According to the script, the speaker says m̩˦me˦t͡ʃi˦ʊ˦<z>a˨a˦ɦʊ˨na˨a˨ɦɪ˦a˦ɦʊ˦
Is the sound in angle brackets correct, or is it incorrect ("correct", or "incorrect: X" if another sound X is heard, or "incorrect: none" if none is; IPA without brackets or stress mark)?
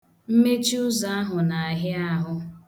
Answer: correct